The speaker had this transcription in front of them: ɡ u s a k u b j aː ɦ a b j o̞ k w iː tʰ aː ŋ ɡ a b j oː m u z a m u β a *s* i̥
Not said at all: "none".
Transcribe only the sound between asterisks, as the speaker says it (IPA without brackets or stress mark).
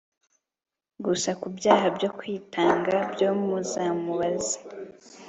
z